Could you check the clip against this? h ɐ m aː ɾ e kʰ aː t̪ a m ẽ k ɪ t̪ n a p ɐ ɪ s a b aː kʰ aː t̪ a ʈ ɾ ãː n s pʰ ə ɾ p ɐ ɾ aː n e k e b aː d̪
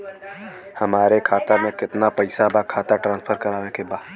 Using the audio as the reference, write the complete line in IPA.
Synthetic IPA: h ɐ m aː ɾ e kʰ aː t̪ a m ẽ k ɪ t̪ n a p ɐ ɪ s a b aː kʰ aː t̪ a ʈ ɾ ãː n s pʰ ə ɾ k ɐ ɾ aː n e k e b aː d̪